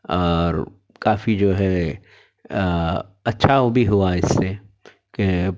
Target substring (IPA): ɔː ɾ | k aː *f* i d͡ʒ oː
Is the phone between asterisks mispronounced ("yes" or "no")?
no